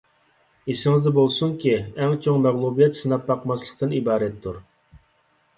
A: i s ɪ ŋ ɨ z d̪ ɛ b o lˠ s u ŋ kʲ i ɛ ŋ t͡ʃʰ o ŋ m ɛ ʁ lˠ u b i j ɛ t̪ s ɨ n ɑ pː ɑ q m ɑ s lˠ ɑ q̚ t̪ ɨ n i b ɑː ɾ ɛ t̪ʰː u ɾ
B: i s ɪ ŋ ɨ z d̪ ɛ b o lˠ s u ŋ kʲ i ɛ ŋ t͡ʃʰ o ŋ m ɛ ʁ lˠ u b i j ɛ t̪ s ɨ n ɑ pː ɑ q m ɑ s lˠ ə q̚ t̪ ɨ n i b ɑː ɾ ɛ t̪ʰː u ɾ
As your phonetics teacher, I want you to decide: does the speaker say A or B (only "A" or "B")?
B